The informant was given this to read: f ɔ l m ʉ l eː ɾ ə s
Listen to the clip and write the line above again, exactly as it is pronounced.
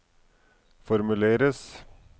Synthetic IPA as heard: f ɔ ɾ m ʉ l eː ɾ ə s